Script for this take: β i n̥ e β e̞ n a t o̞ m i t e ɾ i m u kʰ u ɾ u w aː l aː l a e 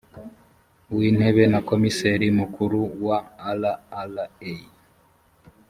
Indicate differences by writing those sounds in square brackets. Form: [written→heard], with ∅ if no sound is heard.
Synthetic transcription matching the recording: [β→w] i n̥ e β e̞ n a [t→k] o̞ m i [t→s] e ɾ i m u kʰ u ɾ u w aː l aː l a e